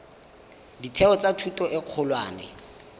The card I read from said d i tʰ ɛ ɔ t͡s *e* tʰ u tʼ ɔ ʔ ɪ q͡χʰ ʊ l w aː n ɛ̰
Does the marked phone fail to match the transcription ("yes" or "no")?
yes